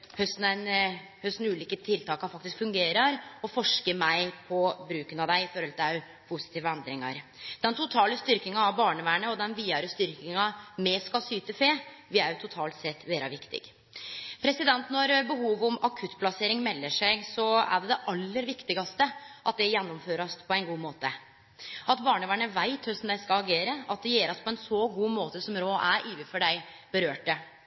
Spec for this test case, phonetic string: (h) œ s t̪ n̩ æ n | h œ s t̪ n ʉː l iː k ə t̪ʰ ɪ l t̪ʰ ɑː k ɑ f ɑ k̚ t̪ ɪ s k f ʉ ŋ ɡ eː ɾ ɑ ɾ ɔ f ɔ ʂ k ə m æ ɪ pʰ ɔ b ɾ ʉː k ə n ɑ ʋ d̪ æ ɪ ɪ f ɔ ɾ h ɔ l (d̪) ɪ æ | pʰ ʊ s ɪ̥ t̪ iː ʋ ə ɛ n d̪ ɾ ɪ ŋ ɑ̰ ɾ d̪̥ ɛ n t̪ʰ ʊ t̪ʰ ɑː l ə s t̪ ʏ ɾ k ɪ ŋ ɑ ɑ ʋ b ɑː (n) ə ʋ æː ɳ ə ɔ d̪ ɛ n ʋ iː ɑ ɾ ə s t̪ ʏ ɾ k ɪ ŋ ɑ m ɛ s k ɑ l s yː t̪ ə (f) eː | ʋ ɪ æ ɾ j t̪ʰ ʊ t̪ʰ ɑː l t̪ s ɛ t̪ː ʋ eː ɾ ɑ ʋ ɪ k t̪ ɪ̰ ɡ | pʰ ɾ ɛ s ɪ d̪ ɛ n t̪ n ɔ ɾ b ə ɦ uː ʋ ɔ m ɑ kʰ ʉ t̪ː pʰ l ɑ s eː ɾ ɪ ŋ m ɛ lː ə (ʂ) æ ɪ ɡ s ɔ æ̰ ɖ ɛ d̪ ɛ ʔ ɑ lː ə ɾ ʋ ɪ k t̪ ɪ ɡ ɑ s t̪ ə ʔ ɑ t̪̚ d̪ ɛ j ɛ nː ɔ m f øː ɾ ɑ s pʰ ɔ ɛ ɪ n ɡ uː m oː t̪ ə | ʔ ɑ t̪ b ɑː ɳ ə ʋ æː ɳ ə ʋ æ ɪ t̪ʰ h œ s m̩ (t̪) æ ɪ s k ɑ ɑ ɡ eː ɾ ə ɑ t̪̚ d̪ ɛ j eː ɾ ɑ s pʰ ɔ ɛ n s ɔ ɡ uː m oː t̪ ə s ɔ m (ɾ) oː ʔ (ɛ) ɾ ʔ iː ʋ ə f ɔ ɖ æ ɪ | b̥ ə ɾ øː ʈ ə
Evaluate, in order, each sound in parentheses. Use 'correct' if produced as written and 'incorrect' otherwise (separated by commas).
correct, incorrect, incorrect, correct, correct, incorrect, correct, incorrect